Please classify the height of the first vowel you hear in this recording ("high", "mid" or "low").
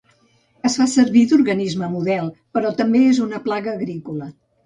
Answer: mid